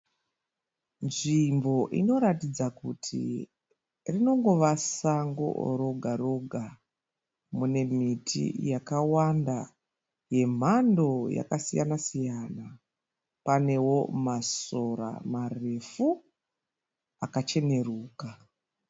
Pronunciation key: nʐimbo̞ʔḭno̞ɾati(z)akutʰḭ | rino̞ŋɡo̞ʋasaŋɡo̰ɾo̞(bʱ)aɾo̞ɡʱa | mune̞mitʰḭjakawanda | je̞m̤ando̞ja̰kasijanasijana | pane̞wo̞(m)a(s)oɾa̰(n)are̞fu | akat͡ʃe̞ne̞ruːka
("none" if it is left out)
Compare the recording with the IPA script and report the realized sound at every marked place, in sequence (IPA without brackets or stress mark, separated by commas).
d͡z, ɡʱ, m, s, m